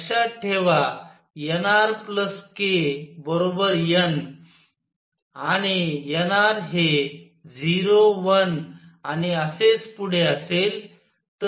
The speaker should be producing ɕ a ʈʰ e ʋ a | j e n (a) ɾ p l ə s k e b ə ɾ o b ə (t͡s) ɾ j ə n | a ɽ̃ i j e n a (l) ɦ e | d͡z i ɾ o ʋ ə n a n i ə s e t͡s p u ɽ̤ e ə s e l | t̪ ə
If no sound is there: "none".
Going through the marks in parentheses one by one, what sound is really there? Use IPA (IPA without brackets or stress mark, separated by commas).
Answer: a, none, ɾ